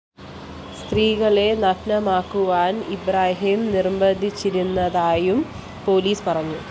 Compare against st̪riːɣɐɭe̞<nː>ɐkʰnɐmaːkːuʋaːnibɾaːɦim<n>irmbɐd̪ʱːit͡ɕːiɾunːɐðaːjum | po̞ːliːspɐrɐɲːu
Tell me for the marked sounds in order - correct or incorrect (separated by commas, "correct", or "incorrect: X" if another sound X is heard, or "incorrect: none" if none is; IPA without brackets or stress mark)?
incorrect: n, correct